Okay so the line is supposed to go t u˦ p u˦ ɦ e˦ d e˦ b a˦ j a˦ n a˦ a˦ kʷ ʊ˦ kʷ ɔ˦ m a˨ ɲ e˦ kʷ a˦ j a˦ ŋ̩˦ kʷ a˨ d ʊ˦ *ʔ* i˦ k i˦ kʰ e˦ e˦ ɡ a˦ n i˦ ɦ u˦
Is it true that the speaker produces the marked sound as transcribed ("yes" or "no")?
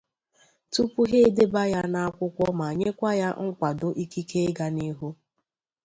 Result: yes